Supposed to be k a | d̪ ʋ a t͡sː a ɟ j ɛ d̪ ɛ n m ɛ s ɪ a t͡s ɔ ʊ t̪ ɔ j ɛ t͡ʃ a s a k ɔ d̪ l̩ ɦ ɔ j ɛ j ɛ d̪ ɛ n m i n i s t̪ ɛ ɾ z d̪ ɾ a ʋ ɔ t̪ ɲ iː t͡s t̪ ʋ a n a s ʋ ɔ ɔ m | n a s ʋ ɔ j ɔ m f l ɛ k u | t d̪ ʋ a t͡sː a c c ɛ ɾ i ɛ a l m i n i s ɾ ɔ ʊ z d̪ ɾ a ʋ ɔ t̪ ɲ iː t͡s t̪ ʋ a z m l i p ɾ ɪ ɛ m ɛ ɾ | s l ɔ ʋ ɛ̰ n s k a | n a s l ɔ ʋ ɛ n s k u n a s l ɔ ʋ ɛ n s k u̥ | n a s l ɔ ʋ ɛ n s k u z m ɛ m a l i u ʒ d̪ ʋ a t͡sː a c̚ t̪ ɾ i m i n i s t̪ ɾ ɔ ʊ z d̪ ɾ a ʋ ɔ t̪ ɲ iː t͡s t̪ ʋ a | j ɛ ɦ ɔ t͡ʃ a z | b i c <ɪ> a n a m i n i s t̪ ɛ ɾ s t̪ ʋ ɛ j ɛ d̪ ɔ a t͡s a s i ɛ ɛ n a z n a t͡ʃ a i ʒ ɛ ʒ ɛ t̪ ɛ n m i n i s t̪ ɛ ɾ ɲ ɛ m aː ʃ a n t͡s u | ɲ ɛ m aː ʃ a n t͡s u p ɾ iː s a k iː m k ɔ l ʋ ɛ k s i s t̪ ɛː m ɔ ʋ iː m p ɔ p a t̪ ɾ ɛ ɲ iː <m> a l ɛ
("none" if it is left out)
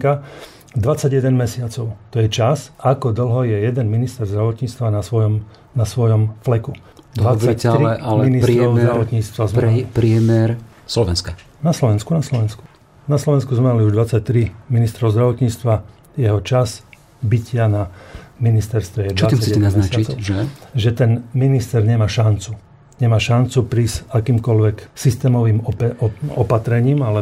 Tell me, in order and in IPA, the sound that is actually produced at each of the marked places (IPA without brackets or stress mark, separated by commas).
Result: ɪ, m